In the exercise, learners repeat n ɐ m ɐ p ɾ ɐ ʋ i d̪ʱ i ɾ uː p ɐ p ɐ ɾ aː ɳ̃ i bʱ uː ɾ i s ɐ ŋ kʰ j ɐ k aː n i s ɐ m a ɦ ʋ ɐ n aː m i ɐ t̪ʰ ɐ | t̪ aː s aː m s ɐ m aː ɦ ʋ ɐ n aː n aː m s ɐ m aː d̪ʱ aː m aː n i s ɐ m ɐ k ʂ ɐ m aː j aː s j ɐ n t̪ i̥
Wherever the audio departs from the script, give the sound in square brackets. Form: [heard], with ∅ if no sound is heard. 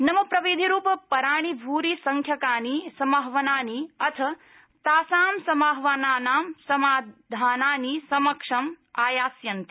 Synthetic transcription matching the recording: n ɐ m ɐ p ɾ ɐ ʋ i d̪ʱ i ɾ uː p ɐ p ɐ ɾ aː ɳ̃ i bʱ uː ɾ i s ɐ ŋ kʰ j ɐ k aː n i s ɐ m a ɦ ʋ ɐ n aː [n] i ɐ t̪ʰ ɐ | t̪ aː s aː m s ɐ m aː ɦ ʋ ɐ n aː n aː m s ɐ m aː d̪ʱ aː [n] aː n i s ɐ m ɐ k ʂ ɐ m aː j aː s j ɐ n t̪ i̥